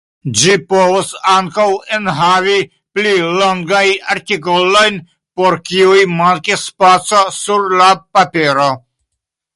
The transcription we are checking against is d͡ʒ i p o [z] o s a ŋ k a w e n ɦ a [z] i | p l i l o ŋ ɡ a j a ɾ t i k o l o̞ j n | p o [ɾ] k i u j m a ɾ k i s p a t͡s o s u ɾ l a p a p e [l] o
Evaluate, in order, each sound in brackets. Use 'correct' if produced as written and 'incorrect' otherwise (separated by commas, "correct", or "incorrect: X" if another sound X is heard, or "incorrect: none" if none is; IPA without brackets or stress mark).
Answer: incorrect: v, incorrect: v, correct, incorrect: ɾ